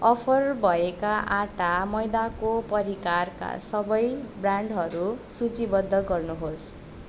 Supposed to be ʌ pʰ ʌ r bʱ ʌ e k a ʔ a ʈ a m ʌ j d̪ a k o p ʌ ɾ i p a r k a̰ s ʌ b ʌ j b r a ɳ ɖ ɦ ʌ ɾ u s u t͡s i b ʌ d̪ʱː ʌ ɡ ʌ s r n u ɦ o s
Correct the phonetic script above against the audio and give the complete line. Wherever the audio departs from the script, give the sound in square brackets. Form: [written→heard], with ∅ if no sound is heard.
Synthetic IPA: ʌ pʰ ʌ r bʱ ʌ e k a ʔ a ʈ a m ʌ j d̪ a k o p ʌ ɾ i [p→k] a r k a̰ s ʌ b ʌ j b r a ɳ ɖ ɦ ʌ ɾ u s u t͡s i b ʌ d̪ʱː ʌ ɡ ʌ [s→∅] r n u ɦ o s